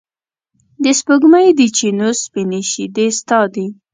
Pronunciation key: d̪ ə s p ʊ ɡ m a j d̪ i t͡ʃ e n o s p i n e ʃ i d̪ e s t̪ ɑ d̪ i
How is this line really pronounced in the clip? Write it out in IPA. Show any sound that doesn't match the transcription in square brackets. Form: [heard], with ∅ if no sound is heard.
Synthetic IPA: d̪ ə s p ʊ ɡ m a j d̪ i t͡ʃ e n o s p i n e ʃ i d̪ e s t̪ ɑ d̪ i